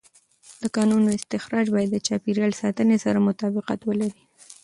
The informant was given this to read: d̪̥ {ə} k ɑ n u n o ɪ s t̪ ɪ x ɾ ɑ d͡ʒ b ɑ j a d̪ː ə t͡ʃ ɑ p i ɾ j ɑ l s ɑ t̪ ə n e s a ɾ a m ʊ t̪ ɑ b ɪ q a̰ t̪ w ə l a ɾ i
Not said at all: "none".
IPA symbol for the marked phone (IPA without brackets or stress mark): ə